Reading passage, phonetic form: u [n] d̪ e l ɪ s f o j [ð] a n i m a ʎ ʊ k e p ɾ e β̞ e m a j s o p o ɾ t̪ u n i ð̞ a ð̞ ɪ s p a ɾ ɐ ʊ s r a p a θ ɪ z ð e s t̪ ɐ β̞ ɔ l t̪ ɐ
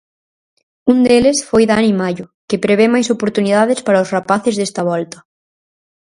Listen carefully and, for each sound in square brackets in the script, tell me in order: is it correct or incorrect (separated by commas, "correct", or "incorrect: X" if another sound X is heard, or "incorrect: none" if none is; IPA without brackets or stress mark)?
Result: correct, correct